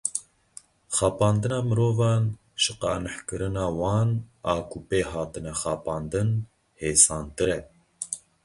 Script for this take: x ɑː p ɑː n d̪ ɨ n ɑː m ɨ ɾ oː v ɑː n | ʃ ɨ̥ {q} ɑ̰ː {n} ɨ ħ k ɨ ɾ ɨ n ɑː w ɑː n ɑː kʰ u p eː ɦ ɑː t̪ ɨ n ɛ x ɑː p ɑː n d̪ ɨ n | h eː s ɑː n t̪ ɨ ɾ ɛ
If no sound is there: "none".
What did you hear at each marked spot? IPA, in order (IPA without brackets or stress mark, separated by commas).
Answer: q, n